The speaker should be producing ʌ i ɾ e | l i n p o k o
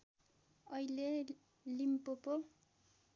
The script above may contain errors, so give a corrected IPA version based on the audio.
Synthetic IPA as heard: ʌ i l e | l i m p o p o